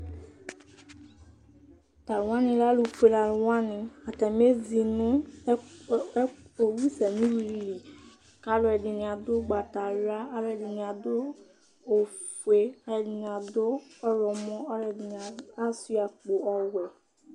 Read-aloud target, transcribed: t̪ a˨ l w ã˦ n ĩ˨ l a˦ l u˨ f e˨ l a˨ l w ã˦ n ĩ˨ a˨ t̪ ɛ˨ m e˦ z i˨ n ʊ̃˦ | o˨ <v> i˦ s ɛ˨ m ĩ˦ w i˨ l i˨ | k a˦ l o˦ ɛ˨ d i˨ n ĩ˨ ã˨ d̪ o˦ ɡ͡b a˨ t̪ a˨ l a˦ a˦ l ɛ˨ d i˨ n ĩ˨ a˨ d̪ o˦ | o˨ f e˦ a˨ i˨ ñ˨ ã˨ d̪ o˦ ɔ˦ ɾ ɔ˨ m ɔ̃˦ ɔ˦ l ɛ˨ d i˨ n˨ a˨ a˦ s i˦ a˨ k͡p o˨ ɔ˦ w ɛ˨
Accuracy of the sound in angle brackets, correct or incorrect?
incorrect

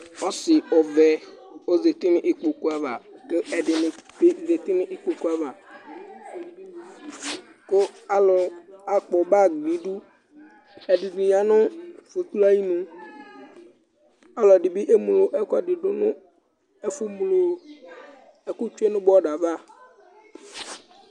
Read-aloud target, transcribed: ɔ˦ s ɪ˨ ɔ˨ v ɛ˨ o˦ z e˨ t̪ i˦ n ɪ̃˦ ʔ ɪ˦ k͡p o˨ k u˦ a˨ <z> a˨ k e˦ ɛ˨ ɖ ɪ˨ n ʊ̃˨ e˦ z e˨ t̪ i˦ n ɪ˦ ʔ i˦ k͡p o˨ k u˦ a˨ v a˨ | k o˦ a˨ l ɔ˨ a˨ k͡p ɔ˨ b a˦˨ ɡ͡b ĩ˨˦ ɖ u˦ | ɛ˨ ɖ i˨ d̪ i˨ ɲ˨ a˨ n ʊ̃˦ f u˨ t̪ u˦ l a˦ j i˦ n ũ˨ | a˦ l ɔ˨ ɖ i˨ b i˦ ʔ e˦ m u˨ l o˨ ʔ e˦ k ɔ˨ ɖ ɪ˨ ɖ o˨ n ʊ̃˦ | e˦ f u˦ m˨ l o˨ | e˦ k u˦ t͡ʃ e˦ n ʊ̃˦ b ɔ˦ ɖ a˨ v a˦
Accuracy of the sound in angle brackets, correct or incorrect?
incorrect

